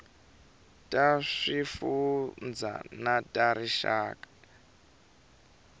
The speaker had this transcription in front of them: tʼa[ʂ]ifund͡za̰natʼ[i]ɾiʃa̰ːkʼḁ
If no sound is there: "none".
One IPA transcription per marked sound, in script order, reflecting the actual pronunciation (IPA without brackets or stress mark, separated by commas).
ʂ, a